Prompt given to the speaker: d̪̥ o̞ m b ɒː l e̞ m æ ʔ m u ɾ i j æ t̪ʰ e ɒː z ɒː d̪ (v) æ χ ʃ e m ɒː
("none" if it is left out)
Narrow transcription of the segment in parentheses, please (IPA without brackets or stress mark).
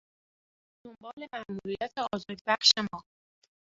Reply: b